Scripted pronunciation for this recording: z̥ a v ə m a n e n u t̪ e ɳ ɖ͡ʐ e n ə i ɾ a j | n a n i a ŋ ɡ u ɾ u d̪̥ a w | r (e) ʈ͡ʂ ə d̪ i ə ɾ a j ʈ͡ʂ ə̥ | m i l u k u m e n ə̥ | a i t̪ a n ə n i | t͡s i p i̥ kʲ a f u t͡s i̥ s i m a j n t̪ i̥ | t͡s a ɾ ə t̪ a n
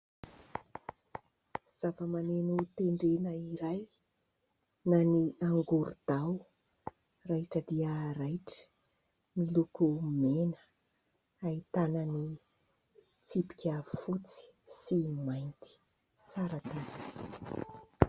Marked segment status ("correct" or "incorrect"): incorrect